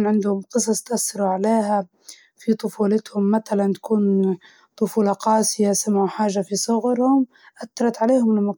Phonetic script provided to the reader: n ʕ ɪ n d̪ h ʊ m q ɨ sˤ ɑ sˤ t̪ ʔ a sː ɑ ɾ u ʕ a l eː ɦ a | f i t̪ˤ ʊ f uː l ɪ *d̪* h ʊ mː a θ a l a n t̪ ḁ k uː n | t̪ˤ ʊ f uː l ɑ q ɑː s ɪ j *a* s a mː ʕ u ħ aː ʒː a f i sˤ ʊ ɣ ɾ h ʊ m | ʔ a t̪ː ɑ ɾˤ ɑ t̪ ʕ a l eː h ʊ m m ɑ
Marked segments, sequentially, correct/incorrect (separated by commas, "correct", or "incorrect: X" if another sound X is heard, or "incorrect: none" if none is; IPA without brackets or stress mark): incorrect: t̪, correct